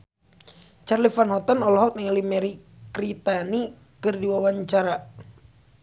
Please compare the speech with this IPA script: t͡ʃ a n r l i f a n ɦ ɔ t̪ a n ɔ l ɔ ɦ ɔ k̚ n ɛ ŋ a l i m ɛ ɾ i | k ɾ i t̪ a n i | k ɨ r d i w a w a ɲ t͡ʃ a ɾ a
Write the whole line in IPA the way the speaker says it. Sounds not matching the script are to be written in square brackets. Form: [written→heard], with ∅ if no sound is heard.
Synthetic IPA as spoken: t͡ʃ a [n→∅] r l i f a n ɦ ɔ t̪ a n ɔ l ɔ ɦ ɔ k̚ n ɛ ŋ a l i m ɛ ɾ i | k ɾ i t̪ a n i | k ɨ r d i w a w a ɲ t͡ʃ a ɾ a